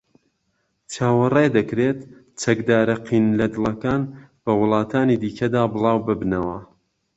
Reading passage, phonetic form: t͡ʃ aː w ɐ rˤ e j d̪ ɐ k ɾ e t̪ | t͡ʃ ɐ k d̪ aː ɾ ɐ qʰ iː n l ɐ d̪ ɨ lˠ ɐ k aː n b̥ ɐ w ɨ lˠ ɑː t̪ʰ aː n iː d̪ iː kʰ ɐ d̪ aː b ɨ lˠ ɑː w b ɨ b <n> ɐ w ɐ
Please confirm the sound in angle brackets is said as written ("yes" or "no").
yes